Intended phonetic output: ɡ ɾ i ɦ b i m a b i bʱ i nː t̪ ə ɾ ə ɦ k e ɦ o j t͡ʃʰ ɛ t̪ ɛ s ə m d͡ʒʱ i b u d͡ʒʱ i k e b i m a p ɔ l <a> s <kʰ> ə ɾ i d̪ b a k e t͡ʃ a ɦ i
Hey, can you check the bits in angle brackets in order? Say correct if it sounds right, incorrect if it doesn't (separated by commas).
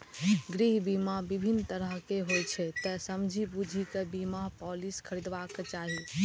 incorrect, correct